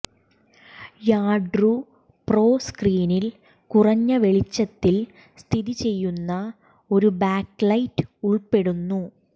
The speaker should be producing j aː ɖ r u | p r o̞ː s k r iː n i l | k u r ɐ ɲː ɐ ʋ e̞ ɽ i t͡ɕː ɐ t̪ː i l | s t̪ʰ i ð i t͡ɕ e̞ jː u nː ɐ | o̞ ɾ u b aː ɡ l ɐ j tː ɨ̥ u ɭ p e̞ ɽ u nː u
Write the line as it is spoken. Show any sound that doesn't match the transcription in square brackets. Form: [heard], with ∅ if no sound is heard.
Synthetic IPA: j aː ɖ r u | p r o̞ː s k r iː n i l | k u r ɐ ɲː ɐ ʋ e̞ [ɭ] i t͡ɕː ɐ t̪ː i l | s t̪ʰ i ð i t͡ɕ e̞ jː u nː ɐ | o̞ ɾ u b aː [k] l ɐ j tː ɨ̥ u ɭ p e̞ ɽ u nː u